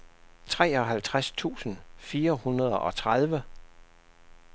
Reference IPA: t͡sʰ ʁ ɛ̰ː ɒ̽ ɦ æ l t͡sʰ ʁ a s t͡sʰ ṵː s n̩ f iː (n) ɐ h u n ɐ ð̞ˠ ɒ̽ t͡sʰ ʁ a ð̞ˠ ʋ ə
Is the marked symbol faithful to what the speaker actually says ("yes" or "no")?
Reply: no